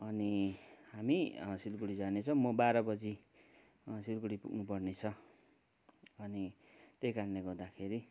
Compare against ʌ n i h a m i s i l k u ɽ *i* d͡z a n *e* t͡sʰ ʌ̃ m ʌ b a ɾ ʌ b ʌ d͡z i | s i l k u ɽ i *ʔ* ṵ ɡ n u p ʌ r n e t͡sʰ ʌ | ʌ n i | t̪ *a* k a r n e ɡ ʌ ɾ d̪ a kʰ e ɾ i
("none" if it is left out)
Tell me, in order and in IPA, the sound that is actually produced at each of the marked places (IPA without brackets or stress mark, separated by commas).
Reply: i, e, p, e